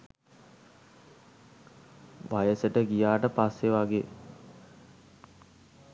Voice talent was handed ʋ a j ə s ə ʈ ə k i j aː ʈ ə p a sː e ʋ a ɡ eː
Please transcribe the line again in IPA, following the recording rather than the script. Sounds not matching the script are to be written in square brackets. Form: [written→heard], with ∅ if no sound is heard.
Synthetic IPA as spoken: ʋ a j ə s ə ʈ ə [k→ɡ] i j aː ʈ ə p a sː e ʋ a ɡ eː

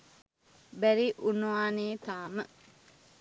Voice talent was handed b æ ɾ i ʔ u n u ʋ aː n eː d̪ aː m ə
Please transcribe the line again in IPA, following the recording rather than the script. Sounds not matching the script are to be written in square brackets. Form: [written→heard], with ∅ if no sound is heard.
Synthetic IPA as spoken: b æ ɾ i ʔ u n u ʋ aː n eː [d̪→t̪] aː m ə

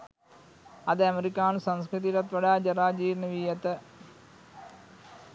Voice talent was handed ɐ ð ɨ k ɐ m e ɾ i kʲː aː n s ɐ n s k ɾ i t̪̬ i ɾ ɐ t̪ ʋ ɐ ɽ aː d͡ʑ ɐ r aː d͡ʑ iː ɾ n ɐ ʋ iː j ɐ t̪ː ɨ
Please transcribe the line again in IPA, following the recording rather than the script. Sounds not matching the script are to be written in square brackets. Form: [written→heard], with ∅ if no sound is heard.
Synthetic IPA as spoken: ɐ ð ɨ [k→∅] ɐ m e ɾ i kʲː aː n s ɐ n s k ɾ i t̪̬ i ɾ ɐ t̪ ʋ ɐ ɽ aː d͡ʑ ɐ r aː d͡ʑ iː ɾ n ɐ ʋ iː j ɐ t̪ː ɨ

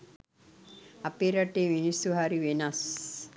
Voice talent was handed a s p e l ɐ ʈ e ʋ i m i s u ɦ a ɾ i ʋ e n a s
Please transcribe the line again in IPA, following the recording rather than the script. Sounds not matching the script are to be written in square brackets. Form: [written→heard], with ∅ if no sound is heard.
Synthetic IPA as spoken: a [s→∅] p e [l→ɾ] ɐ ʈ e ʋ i [m→n] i s u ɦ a ɾ i ʋ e n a s

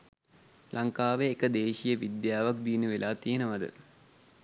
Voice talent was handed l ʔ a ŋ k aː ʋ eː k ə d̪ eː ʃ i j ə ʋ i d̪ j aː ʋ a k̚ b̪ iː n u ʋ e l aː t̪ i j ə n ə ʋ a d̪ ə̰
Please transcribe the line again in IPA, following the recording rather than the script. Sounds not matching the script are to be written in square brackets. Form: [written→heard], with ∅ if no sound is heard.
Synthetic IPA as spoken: l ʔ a ŋ k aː ʋ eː k ə d̪ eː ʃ i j ə ʋ i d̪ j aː ʋ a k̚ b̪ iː n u ʋ e l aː t̪ i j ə n ə ʋ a d̪ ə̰

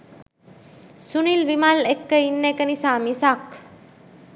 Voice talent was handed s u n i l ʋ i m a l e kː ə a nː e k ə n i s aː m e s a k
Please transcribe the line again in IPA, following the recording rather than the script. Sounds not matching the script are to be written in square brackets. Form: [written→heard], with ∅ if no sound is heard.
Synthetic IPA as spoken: s u n i l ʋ i m a l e kː ə [a→i] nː e k ə n i s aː m [e→i] s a k

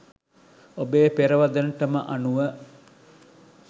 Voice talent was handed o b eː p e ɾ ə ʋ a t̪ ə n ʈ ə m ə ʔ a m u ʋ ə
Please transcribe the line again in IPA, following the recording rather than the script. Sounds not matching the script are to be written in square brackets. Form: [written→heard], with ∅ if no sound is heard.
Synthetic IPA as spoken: o b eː p e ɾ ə ʋ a [t̪→d̪] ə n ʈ ə m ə ʔ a [m→n] u ʋ ə

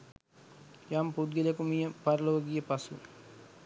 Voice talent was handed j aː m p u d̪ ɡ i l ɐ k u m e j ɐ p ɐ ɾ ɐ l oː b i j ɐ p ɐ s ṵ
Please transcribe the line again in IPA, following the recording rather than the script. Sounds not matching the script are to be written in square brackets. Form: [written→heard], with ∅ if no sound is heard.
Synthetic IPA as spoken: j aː m p u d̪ ɡ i l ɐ k u m [e→i] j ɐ p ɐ ɾ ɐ l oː [b→ɡ] i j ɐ p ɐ s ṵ

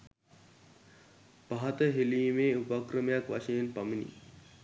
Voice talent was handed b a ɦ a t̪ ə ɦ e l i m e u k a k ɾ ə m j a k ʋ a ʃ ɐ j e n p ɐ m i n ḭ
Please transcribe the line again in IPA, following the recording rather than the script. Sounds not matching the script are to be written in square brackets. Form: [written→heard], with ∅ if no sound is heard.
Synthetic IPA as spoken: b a ɦ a t̪ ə ɦ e l i m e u [k→p] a k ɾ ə m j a k ʋ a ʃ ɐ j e n p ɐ m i n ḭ

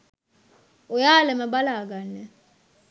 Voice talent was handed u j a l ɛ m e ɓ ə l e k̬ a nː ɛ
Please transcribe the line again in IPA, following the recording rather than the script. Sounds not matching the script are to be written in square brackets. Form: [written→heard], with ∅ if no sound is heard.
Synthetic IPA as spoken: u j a l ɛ m [e→a] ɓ [ə→a] l [e→a] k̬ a [nː→n] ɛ

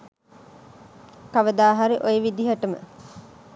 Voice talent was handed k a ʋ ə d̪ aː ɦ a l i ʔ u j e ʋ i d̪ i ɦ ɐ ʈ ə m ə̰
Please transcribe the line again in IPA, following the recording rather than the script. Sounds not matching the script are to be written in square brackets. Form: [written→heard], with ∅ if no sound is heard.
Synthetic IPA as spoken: k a ʋ ə d̪ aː ɦ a [l→ɾ] i ʔ [u→o] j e ʋ i d̪ i ɦ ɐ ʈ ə m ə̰

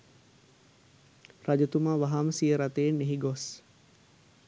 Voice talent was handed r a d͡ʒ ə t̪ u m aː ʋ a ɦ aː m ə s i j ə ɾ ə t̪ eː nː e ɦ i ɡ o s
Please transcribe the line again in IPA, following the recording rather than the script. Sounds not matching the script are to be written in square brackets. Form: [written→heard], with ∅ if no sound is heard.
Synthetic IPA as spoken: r a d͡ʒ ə t̪ u m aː ʋ a ɦ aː m ə s i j ə ɾ [ə→a] t̪ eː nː e ɦ i ɡ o s

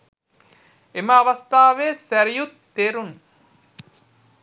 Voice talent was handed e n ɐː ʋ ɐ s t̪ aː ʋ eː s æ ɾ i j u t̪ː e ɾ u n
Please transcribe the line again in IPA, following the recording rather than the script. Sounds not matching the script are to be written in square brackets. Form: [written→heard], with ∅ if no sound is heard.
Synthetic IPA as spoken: e [n→m] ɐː ʋ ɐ s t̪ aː ʋ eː s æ ɾ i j u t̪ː e ɾ u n

